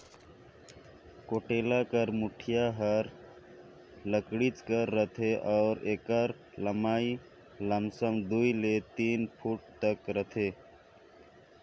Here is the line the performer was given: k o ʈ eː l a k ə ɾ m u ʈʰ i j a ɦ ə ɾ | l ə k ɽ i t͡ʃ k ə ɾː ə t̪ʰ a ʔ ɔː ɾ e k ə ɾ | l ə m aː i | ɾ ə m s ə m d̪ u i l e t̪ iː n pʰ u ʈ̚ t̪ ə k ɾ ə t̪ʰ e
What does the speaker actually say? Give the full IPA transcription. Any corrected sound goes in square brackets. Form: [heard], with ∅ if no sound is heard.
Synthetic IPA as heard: k o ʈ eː l a k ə ɾ m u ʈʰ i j a ɦ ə ɾ | l ə k ɽ i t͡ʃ k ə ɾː ə t̪ʰ [e] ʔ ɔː ɾ e k ə ɾ | l ə m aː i | [l] ə m s ə m d̪ u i l e t̪ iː n pʰ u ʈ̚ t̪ ə k ɾ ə t̪ʰ e